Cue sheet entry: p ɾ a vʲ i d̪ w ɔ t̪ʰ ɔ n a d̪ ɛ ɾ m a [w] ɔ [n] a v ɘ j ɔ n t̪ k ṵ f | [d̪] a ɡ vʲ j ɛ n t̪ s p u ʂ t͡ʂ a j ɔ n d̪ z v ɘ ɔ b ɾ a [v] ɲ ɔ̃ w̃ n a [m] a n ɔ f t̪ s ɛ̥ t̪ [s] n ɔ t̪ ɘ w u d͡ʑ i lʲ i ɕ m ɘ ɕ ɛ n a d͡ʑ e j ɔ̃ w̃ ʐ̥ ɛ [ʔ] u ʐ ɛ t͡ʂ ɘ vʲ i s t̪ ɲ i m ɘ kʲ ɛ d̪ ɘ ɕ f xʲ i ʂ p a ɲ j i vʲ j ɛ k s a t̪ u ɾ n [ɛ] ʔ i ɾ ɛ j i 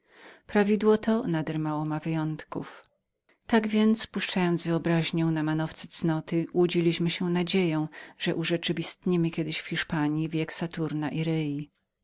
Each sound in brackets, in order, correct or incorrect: correct, incorrect: m, incorrect: t̪, incorrect: ʑ, correct, correct, correct, incorrect: a

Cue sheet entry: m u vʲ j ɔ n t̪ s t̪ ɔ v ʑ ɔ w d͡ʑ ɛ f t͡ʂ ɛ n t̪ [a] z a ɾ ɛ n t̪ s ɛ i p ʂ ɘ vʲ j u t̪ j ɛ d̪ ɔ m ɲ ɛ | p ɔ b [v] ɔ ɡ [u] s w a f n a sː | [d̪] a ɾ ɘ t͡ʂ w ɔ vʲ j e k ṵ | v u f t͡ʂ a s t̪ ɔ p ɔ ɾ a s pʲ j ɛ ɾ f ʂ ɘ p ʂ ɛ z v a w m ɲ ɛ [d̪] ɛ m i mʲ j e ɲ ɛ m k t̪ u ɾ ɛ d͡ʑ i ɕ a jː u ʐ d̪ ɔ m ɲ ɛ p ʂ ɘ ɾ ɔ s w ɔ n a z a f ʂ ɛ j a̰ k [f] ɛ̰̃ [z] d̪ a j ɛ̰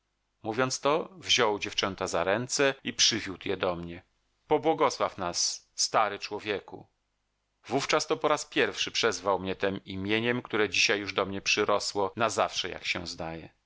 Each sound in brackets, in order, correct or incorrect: correct, incorrect: w, incorrect: ɔ, incorrect: t̪, incorrect: t̪, incorrect: ɕ, correct

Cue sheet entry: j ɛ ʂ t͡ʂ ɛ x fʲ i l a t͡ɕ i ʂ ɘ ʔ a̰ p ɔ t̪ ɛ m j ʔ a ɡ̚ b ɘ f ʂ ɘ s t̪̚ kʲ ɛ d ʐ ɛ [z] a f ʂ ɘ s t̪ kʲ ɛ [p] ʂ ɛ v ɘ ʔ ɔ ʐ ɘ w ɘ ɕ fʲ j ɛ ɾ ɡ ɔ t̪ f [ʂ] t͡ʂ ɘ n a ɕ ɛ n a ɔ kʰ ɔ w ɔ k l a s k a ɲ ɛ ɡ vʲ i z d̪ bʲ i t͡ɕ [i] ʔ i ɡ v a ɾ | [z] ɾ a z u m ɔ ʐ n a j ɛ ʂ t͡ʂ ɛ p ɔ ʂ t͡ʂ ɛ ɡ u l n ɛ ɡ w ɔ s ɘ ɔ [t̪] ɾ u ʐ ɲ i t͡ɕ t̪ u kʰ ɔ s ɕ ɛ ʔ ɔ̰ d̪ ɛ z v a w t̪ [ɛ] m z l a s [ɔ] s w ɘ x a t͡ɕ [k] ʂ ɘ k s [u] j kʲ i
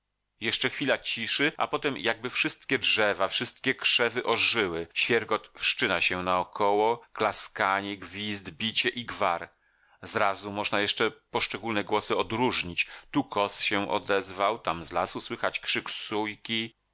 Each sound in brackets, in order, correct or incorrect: incorrect: v, incorrect: k, correct, incorrect: ɛ, correct, incorrect: d̪, incorrect: a, incorrect: u, correct, correct

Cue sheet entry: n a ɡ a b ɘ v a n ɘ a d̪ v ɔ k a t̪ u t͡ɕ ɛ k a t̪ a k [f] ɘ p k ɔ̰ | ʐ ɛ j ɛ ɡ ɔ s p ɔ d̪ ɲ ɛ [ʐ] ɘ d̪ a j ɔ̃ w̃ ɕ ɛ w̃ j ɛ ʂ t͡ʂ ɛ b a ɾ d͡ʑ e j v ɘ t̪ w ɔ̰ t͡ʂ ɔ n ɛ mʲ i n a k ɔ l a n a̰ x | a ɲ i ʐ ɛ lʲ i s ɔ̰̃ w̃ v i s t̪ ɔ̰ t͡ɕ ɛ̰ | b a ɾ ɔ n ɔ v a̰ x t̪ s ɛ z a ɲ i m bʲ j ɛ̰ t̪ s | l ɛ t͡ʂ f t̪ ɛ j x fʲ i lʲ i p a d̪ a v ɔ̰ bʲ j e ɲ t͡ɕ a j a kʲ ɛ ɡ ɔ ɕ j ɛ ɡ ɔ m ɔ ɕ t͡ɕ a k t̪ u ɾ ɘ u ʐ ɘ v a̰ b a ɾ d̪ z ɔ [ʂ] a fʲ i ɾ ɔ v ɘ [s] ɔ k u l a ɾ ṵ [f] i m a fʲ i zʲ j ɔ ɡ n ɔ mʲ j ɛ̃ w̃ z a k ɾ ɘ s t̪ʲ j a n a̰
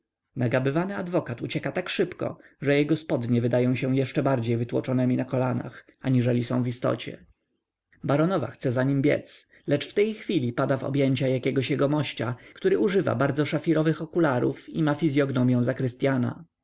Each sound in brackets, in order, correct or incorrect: incorrect: ʂ, incorrect: v, correct, incorrect: x, correct

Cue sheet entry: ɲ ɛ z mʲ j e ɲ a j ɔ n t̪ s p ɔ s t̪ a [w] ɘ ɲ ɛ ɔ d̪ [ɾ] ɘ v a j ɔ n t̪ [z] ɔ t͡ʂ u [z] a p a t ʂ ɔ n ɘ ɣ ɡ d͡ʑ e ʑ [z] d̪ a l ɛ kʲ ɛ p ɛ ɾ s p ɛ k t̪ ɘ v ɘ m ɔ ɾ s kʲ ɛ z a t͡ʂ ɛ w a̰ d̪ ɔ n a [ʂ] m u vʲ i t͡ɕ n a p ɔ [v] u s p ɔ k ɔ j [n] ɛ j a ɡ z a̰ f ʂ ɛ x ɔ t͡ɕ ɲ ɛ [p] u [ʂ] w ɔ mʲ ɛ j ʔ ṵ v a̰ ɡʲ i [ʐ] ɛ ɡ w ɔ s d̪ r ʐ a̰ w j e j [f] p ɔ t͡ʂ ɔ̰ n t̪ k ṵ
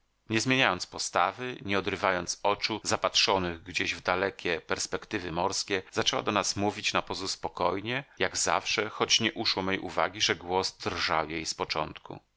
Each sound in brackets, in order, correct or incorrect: incorrect: v, correct, incorrect: s, correct, incorrect: v, incorrect: s, incorrect: z, incorrect: ɲ, incorrect: ʔ, correct, correct, incorrect: s

